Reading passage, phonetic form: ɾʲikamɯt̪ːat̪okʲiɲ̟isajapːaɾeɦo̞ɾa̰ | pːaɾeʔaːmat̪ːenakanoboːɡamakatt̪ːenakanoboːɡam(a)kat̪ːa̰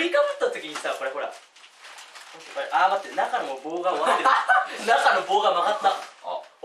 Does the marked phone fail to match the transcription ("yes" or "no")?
no